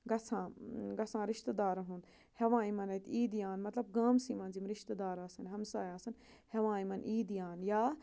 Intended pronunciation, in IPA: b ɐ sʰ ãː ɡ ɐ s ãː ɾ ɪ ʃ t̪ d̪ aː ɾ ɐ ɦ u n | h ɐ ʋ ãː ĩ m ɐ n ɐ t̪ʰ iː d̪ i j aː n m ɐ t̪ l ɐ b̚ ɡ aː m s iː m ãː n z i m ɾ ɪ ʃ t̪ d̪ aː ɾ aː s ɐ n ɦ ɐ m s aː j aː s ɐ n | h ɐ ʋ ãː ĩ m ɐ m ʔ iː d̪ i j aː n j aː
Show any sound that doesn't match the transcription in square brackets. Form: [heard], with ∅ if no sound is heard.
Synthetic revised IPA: [ɡ] ɐ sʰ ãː ɡ ɐ s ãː ɾ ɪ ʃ t̪ d̪ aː ɾ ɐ ɦ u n | h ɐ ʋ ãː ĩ m ɐ n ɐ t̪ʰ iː d̪ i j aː n m ɐ t̪ l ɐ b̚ ɡ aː m s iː m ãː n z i m ɾ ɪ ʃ t̪ d̪ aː ɾ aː s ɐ n ɦ ɐ m s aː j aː s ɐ n | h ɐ ʋ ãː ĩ m ɐ [n] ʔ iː d̪ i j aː n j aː